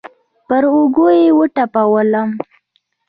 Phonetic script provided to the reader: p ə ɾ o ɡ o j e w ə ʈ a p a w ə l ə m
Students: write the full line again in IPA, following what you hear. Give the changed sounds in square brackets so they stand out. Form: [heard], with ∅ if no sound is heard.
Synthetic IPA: p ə ɾ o ɡ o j e w ə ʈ a p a w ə l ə m